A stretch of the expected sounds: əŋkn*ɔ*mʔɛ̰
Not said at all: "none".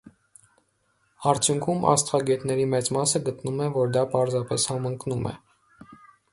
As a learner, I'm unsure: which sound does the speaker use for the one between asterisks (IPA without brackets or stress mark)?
u